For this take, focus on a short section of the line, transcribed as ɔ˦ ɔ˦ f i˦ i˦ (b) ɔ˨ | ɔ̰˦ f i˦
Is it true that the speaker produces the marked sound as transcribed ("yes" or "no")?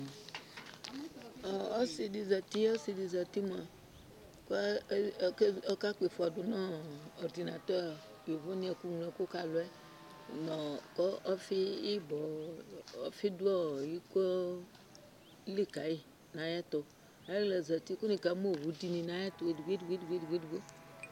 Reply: yes